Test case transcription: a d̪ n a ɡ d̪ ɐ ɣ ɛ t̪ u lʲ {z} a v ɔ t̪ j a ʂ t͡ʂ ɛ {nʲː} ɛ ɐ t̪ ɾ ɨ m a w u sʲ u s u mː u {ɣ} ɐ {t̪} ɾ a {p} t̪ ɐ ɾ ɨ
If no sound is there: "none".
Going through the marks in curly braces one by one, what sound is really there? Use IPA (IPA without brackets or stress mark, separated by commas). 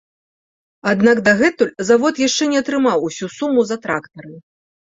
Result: z, nʲ, z, t̪, k